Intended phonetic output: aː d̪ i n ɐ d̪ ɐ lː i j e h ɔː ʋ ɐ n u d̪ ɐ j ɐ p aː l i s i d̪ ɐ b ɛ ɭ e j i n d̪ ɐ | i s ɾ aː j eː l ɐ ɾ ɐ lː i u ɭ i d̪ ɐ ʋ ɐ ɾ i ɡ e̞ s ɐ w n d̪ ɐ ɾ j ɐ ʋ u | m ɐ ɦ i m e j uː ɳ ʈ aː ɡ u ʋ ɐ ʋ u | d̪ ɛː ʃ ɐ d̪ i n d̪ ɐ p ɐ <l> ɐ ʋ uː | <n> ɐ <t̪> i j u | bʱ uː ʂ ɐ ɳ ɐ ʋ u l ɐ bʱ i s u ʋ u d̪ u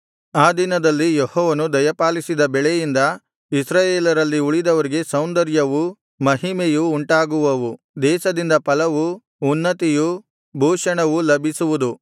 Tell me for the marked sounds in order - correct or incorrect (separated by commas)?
correct, incorrect, correct